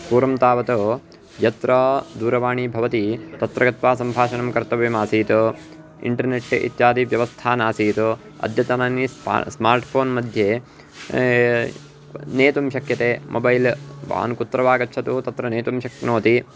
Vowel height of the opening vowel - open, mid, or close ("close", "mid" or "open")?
close